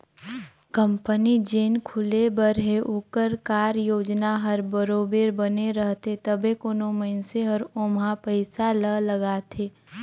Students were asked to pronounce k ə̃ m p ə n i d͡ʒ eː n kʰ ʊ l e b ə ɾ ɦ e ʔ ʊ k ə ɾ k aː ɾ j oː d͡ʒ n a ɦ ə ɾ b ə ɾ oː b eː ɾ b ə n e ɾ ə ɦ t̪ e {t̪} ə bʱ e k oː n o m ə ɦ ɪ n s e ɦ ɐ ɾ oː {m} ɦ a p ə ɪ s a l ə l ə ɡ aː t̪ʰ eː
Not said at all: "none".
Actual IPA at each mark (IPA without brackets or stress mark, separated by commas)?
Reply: t̪, m